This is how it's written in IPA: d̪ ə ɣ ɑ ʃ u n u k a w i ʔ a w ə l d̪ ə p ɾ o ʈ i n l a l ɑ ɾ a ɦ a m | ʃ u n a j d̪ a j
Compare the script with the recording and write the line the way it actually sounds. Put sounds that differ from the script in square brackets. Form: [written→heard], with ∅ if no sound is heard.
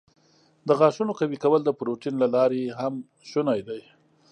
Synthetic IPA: d̪ ə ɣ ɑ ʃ u n [u→o] k a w i [ʔ→k] a w ə l d̪ ə p ɾ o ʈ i n l a l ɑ ɾ [a→e] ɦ a m | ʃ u n a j d̪ a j